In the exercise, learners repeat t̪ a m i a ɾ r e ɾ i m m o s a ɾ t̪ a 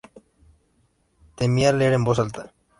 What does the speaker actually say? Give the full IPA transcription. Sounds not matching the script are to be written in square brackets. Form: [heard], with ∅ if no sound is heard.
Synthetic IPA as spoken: t̪ [e] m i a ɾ [l] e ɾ [e] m [b] o s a [l] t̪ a